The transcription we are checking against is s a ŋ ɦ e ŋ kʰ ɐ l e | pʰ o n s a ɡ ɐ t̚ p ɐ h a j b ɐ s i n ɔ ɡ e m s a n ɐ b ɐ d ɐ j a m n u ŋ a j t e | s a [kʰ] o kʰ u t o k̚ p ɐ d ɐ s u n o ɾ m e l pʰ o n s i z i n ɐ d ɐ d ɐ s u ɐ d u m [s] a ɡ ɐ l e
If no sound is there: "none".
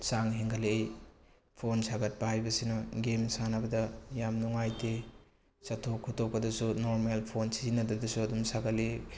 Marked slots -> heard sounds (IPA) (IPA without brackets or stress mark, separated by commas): tʰ, s